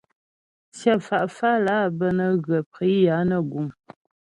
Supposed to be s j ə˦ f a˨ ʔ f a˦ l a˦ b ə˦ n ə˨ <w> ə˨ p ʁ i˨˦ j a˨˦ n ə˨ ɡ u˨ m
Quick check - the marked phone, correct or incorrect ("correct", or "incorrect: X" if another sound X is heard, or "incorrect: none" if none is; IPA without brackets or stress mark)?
incorrect: ɣ